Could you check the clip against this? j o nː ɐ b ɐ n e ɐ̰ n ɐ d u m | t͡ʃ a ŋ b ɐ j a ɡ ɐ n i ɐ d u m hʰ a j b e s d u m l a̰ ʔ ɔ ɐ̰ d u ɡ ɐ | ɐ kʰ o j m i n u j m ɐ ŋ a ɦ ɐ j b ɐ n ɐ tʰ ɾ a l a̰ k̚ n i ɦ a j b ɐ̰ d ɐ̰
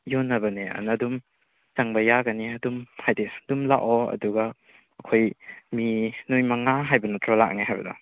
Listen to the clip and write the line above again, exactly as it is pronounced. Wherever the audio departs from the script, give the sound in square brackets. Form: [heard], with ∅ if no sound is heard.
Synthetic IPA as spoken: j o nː ɐ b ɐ n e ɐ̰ n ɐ d u m | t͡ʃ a ŋ b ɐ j a ɡ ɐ n i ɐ d u m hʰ a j [d] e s d u m l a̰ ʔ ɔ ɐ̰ d u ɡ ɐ | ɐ kʰ o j m i n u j m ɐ ŋ a ɦ [a] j b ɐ n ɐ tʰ ɾ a l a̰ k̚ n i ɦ a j b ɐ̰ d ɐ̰